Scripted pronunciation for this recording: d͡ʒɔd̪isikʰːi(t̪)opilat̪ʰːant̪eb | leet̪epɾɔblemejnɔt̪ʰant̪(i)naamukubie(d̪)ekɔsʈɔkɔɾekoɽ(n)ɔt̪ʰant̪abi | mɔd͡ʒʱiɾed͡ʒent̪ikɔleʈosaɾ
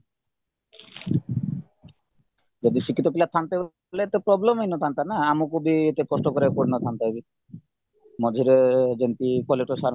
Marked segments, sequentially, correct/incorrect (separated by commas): correct, incorrect, incorrect, correct